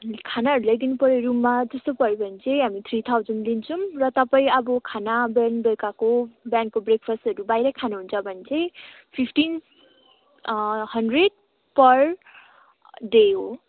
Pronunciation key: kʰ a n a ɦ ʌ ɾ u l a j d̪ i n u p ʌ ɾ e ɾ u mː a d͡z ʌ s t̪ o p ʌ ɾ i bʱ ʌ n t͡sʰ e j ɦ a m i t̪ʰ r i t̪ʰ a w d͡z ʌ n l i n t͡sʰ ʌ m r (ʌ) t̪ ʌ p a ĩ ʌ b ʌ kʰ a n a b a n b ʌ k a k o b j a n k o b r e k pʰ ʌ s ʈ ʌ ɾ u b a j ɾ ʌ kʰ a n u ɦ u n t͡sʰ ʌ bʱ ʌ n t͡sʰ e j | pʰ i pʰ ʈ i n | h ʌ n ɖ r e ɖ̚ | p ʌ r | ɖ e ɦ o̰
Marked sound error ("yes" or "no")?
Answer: no